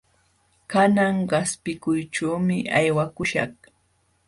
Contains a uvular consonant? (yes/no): yes